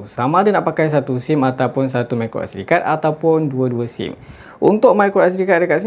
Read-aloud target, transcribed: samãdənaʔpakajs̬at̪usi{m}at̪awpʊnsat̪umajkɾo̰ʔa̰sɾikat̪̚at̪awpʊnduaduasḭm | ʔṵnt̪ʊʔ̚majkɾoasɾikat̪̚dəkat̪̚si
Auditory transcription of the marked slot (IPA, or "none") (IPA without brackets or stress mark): m